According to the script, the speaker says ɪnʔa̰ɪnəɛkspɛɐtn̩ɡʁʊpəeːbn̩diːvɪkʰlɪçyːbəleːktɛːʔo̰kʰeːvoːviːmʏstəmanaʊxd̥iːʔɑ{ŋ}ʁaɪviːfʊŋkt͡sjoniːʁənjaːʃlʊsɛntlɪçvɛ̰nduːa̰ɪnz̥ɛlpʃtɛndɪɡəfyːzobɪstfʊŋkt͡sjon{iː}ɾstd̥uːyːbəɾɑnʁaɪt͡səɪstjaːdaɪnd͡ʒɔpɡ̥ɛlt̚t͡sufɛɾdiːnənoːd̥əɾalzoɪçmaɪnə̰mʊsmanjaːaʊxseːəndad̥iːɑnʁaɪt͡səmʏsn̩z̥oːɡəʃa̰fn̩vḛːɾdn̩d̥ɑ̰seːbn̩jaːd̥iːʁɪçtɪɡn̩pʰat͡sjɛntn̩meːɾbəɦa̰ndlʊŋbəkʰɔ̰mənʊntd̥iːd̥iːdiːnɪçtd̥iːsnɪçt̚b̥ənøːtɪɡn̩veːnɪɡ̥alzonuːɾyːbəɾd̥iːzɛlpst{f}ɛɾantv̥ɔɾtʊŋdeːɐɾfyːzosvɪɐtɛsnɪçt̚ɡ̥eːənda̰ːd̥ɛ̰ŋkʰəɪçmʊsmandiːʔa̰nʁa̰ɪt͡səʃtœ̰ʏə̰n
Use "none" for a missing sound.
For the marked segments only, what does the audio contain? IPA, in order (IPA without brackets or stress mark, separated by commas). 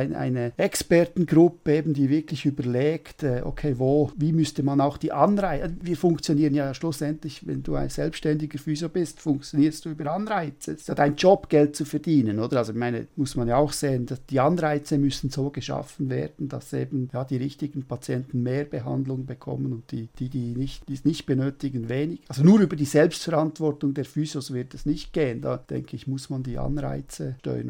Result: n, iː, f